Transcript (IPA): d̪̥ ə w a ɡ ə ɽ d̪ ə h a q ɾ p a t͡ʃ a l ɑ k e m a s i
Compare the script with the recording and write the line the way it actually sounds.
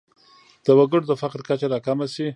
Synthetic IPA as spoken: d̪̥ ə w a ɡ ə ɽ d̪ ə f a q ɾ k a t͡ʃ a ɾ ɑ k a m a s i